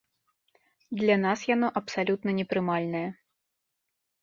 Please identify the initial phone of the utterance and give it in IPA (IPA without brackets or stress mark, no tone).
d̪